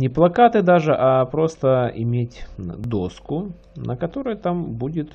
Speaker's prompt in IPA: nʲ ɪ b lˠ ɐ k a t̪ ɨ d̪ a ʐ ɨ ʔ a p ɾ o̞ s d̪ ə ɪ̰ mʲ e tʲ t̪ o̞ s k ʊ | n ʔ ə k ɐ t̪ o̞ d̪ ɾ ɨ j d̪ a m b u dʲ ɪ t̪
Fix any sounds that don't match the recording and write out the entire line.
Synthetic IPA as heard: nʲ ɪ p lˠ ɐ k a t̪ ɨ d̪ a ʐ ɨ ʔ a p ɾ o̞ s t̪ ə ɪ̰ mʲ e tʲ d̪ o̞ s k ʊ | n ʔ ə k ɐ t̪ o̞ ɾ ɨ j t̪ a m b u dʲ ɪ t̪